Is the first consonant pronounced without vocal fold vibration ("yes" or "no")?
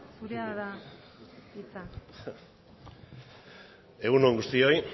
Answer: yes